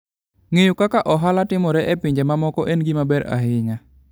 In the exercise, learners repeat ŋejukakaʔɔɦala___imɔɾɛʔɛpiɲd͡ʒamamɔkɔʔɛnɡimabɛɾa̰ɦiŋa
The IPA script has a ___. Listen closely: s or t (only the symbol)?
t